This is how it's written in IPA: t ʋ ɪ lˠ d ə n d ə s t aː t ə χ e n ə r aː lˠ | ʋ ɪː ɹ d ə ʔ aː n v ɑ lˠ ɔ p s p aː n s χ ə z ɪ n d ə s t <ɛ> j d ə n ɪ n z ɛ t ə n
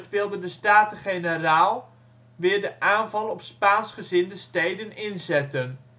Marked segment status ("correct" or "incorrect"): incorrect